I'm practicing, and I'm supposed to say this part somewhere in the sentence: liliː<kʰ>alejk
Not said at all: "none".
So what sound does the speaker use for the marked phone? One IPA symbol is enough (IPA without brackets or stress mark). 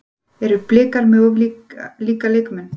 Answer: k